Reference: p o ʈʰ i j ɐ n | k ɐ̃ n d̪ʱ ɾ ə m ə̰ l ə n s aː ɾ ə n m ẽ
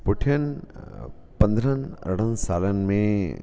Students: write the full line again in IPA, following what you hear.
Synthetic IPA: p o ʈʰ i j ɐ n | p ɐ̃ n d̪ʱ ɾ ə n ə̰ ɽ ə n s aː l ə n m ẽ